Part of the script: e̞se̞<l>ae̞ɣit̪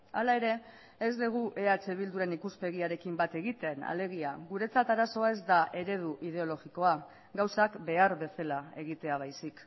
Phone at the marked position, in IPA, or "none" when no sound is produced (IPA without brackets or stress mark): l